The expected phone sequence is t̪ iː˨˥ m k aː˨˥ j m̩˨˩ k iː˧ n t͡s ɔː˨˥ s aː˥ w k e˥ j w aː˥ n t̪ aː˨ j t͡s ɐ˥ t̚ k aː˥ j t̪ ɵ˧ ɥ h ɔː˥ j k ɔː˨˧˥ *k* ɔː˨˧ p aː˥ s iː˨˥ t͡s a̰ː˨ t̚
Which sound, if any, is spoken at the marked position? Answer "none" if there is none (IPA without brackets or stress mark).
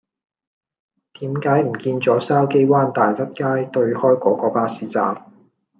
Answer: k